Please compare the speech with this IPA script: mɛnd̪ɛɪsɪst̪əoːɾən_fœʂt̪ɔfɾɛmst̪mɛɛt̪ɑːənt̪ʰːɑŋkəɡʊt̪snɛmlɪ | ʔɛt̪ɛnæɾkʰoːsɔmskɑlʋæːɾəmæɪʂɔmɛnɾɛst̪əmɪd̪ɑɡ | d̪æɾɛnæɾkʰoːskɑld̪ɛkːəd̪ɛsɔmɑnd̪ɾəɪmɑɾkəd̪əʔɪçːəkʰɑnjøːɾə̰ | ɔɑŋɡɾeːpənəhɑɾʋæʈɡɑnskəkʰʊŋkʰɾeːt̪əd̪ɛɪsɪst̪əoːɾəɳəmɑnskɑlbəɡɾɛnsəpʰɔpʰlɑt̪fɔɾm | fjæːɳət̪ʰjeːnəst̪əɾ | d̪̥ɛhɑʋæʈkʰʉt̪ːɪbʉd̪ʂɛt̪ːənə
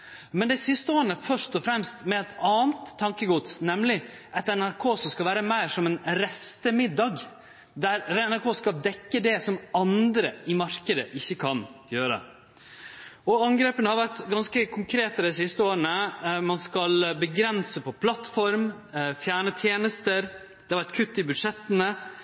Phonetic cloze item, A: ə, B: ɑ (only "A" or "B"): A